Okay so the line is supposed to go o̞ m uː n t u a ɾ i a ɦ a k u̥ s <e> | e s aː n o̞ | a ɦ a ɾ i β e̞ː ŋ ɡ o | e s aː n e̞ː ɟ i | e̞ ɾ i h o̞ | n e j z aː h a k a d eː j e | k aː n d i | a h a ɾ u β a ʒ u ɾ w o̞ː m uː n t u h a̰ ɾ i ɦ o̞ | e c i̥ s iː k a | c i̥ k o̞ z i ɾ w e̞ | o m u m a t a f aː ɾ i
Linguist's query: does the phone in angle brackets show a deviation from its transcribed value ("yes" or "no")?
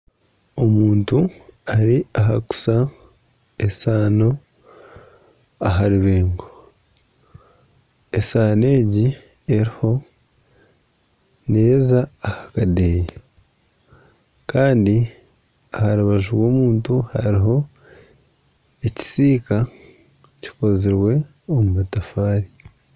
yes